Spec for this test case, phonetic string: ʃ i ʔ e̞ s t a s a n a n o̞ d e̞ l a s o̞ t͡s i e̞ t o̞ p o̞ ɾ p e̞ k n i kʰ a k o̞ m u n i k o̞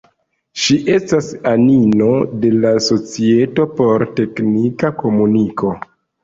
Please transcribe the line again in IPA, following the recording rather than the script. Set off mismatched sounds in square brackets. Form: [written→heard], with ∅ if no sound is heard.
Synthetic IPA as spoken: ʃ i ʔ e̞ s t a s a n [a→i] n o̞ d e̞ l a s o̞ t͡s i e̞ t o̞ p o̞ ɾ [p→t] e̞ k n i [kʰ→k] a k o̞ m u n i k o̞

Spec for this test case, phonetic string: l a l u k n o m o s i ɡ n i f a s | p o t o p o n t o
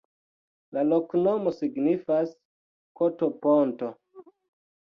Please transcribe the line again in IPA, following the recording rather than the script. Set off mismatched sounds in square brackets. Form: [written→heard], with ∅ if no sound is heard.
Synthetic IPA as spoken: l a l [u→o] k n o m o s i ɡ n i f a s | [p→k] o t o p o n t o

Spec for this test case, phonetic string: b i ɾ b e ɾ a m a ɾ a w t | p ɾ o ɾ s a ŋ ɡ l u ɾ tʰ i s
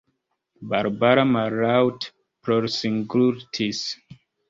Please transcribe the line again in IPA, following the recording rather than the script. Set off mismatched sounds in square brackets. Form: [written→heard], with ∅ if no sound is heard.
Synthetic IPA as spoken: b [i→a] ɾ b [e→a] ɾ a m a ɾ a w t | p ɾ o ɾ s [a→i] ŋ ɡ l u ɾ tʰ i s

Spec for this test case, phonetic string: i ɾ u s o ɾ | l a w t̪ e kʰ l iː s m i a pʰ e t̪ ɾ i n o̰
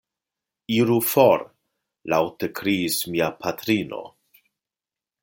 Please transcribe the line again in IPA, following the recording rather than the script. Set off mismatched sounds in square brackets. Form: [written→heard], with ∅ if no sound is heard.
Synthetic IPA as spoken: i ɾ u [s→f] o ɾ | l a w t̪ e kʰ [l→ɾ] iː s m i a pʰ [e→a] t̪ ɾ i n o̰

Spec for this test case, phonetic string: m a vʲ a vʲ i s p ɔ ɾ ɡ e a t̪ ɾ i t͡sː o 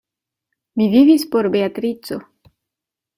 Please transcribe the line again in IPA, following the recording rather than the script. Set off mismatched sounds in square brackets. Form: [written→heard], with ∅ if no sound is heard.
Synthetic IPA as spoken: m [a→i] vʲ [a→i] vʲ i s p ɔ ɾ [ɡ→b] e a t̪ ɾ i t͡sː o

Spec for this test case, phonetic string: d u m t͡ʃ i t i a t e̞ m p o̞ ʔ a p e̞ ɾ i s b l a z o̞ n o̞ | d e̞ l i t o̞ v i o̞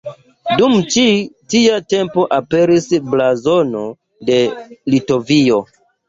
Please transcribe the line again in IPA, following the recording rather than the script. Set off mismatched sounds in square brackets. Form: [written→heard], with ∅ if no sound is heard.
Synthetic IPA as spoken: d u m t͡ʃ i t i a t e̞ m p o̞ ʔ a p e̞ ɾ i s b l a z o̞ n o̞ | d e̞ l i t o̞ v i o̞

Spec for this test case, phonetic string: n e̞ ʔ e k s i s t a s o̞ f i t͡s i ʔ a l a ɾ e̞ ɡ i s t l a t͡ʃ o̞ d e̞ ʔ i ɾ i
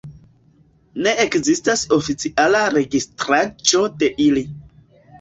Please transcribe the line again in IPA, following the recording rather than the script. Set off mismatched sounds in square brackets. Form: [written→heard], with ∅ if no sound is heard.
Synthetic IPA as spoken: n e̞ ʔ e k [s→z] i s t a s o̞ f i t͡s i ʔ a l a ɾ e̞ ɡ i s t [l→ɾ] a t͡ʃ o̞ d e̞ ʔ i [ɾ→l] i

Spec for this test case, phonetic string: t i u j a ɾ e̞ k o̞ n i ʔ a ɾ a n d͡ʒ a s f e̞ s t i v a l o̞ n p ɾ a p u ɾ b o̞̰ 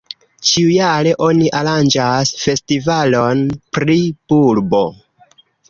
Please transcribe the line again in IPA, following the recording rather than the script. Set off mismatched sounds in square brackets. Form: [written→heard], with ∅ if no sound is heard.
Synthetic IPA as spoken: [t→t͡ʃ] i u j a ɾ e̞ [k→ʔ] o̞ n i ʔ a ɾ a n d͡ʒ a s f e̞ s t i v a l o̞ n p ɾ [a→i] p u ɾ b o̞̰

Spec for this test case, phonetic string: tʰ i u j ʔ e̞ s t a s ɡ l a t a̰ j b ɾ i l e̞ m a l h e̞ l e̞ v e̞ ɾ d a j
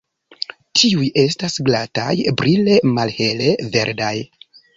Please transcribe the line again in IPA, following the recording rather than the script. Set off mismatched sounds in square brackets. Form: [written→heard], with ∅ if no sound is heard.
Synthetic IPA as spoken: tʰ i u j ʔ e̞ s t a s ɡ l a t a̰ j b ɾ i l e̞ m a l h e̞ l e̞ v e̞ ɾ d a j

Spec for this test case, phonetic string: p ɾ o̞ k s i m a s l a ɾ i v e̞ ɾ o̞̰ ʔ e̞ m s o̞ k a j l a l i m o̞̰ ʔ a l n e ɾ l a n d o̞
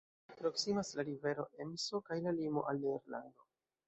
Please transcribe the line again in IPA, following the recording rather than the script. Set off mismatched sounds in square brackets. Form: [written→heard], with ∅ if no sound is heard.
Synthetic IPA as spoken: p ɾ o̞ k s i m a s l a ɾ i v e̞ ɾ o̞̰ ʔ e̞ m s o̞ k a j l a l i m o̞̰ ʔ a l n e ɾ l a n d o̞

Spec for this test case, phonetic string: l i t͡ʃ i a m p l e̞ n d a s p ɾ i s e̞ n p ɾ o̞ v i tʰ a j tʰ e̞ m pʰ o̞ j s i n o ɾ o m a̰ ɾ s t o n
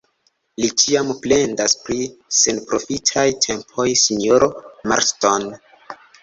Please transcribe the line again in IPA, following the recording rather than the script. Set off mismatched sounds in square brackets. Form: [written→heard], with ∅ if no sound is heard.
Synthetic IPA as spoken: l i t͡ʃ i a m p l e̞ n d a s p ɾ i s e̞ n p ɾ o̞ [v→f] i tʰ a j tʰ e̞ m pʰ o̞ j s i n o ɾ o m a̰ ɾ s t o n

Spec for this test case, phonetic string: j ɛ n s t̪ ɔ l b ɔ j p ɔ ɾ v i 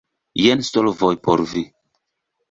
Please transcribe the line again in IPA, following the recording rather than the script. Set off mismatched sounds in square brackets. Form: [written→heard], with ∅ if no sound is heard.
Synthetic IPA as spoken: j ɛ n s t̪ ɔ l [b→v] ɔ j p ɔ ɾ v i

